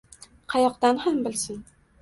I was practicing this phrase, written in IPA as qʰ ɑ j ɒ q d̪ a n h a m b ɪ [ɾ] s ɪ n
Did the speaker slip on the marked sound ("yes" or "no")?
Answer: yes